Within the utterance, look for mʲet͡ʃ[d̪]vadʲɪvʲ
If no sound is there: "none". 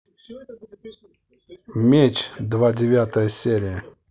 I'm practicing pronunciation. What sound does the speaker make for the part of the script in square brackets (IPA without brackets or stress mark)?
d̪